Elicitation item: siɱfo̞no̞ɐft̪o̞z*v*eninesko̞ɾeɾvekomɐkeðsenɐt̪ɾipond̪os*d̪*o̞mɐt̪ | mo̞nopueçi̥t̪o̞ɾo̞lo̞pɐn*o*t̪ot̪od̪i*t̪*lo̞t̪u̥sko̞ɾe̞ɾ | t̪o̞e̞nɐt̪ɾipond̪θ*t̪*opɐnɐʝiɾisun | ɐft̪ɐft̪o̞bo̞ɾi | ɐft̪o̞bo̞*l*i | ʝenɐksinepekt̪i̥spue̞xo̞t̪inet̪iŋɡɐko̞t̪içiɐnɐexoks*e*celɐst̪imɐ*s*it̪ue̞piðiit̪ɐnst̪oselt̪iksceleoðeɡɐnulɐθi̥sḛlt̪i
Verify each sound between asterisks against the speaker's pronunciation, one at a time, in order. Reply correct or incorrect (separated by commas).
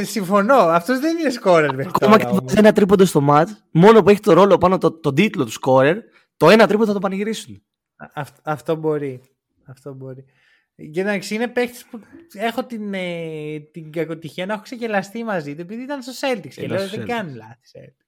incorrect, incorrect, correct, correct, correct, incorrect, correct, incorrect